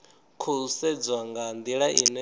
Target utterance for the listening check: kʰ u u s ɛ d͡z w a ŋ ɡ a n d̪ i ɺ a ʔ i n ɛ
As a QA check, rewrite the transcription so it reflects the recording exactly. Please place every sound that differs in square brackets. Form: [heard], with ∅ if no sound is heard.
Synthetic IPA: kʰ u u s ɛ d͡z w a ŋ ɡ a n d̪ i ɺ a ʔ i n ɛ